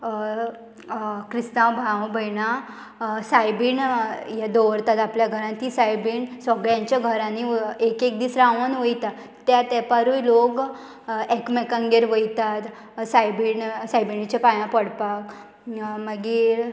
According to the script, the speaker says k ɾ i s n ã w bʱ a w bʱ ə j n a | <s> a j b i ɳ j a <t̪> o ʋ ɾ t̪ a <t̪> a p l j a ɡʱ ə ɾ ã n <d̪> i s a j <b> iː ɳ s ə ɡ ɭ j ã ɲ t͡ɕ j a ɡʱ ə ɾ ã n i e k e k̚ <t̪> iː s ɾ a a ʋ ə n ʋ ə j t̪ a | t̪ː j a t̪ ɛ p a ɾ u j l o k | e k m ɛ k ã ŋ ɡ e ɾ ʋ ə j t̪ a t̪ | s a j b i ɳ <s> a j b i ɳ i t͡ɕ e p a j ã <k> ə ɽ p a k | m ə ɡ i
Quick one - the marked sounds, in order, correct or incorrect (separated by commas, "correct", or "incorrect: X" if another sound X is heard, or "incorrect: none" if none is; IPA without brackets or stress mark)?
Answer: correct, incorrect: d̪, correct, incorrect: t̪, correct, incorrect: d̪, correct, incorrect: p